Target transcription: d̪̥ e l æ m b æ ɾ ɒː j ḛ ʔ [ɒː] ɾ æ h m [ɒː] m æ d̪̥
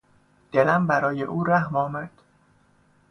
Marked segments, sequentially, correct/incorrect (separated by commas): incorrect, correct